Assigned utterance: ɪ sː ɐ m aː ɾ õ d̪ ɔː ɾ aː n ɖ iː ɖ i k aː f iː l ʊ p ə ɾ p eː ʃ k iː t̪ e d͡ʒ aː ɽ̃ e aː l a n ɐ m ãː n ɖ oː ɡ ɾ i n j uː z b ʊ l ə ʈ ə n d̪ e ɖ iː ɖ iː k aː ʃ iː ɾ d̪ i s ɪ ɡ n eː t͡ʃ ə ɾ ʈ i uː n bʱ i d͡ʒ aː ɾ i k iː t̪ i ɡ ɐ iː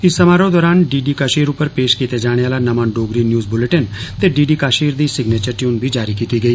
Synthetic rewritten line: ɪ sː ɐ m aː ɾ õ d̪ ɔː ɾ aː n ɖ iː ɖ i k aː ʃ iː ɾ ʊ p ə ɾ p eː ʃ k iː t̪ e d͡ʒ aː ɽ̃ e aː l a n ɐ m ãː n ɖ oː ɡ ɾ i n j uː z b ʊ l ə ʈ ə n t̪ e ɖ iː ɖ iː k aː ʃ iː ɾ d̪ i s ɪ ɡ n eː t͡ʃ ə ɾ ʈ j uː n bʱ i d͡ʒ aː ɾ i k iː t̪ i ɡ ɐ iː